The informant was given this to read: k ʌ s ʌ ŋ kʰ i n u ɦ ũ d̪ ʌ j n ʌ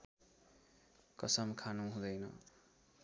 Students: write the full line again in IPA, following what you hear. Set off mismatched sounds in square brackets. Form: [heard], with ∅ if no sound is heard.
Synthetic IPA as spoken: k ʌ s ʌ [m] kʰ [a] n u ɦ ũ d̪ ʌ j n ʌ